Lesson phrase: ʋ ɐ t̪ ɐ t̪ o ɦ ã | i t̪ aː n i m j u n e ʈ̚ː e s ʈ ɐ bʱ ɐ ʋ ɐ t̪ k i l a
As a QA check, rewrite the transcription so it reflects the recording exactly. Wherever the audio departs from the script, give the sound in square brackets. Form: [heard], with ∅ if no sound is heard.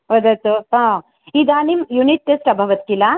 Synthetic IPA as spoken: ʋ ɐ [d̪] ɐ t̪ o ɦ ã | i [d̪] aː n i m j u n [i] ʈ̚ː e s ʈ ɐ bʱ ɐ ʋ ɐ t̪ k i l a